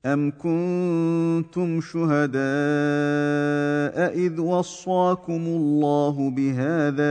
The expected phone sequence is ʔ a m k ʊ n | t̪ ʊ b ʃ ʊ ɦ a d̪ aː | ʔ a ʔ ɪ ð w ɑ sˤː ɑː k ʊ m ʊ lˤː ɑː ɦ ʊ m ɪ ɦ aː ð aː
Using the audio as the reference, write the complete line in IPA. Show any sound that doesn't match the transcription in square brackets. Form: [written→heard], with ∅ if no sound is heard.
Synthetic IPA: ʔ a m k ʊ n | t̪ ʊ [b→m] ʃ ʊ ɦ a d̪ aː | ʔ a ʔ ɪ ð w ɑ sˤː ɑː k ʊ m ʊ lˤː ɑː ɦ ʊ [m→b] ɪ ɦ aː ð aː